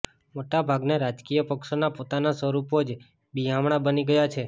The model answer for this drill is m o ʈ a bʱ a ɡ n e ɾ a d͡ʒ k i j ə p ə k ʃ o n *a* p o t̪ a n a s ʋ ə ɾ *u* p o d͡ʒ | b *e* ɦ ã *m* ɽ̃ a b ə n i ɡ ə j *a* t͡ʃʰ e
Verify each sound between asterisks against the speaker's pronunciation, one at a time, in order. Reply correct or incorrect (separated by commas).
correct, correct, incorrect, correct, correct